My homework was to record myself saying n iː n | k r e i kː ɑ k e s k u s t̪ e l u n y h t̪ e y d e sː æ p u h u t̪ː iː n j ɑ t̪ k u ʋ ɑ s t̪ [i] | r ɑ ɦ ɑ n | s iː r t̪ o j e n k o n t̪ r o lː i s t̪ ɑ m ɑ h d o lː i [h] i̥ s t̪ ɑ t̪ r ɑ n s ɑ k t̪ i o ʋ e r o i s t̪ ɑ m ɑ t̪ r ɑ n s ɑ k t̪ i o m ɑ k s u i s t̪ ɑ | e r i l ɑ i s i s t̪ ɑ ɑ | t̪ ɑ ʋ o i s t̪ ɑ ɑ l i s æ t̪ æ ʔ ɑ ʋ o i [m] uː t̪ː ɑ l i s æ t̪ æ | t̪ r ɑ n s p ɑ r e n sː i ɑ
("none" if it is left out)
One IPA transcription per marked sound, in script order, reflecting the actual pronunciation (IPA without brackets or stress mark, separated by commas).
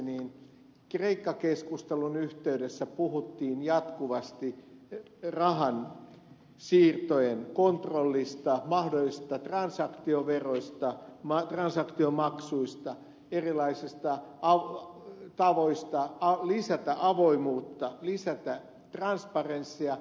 i, s, m